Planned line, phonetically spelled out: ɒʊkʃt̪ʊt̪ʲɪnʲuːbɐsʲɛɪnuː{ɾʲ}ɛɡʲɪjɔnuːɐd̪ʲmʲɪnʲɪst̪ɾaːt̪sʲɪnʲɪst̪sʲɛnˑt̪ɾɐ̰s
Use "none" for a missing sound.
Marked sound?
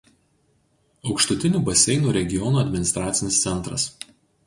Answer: ɾʲ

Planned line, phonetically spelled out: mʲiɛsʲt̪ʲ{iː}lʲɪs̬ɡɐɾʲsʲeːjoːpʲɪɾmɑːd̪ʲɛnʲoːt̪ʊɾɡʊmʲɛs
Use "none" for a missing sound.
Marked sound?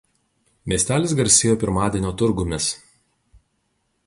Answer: æː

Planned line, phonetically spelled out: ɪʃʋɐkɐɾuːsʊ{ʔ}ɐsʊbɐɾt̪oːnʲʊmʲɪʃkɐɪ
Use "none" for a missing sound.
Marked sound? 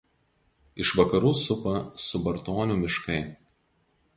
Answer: p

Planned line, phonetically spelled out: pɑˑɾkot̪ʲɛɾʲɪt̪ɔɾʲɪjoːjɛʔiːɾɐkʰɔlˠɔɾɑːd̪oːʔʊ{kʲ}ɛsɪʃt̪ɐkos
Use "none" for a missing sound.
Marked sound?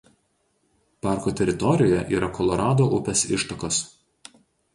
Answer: pʲ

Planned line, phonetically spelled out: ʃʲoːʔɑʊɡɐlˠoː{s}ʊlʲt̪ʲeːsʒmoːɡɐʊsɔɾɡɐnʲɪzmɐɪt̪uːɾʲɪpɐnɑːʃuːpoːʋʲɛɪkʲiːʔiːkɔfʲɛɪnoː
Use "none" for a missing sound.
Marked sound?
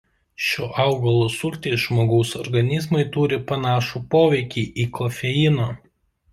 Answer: s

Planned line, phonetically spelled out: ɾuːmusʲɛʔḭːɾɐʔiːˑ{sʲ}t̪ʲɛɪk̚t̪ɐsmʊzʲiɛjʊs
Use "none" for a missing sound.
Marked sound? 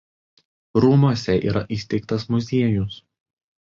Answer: sʲ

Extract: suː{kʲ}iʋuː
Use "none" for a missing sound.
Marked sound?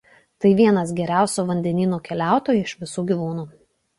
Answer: ɡʲ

